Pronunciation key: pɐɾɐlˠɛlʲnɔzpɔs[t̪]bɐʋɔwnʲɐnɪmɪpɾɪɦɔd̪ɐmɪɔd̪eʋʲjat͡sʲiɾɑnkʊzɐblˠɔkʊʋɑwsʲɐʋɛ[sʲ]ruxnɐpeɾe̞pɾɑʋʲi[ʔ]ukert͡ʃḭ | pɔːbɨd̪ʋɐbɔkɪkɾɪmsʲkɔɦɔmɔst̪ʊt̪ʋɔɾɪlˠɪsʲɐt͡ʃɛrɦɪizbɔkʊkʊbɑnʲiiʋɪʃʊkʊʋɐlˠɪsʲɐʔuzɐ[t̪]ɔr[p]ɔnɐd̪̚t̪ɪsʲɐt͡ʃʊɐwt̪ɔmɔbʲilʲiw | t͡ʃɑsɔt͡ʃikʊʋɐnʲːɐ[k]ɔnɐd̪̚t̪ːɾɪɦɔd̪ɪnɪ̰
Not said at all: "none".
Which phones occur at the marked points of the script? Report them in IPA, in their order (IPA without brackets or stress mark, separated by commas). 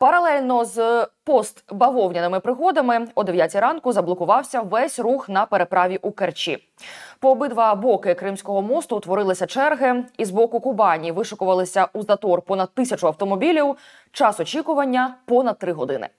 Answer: t̪, sʲ, ʔ, t̪, p, p